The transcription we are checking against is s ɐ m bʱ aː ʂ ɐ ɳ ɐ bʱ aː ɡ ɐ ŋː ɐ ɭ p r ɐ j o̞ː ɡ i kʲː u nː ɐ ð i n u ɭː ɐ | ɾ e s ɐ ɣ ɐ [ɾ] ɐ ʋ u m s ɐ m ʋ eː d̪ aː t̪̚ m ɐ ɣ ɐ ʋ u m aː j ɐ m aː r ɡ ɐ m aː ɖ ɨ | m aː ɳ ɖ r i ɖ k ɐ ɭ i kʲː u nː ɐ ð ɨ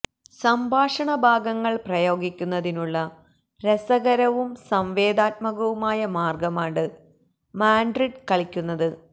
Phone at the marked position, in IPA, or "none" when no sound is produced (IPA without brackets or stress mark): ɾ